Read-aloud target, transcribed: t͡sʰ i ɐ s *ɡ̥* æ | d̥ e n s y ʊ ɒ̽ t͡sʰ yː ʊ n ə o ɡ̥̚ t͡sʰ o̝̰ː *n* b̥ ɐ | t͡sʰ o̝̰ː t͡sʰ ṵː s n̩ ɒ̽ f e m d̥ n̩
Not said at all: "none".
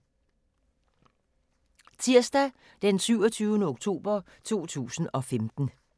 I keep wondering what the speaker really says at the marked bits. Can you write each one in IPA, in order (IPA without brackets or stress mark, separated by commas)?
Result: d̥, none